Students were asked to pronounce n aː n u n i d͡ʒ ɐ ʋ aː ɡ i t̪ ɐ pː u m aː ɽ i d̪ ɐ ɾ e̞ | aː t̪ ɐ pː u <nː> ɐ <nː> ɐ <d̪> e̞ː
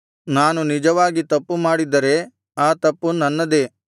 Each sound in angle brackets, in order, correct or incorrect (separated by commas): incorrect, correct, correct